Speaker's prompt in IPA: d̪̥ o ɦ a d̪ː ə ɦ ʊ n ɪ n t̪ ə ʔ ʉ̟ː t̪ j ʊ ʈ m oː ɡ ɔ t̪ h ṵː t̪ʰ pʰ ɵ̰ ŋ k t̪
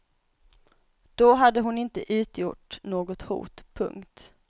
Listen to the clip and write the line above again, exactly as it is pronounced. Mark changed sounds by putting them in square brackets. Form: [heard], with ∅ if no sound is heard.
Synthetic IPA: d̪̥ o ɦ a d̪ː ə ɦ ʊ n ɪ n t̪ ə ʔ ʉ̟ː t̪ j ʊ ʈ [n] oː ɡ ɔ t̪ h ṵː [t̪] pʰ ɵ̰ ŋ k t̪